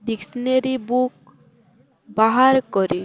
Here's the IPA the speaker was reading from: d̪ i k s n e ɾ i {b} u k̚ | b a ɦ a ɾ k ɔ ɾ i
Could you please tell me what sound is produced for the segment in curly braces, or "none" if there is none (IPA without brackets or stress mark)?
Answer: b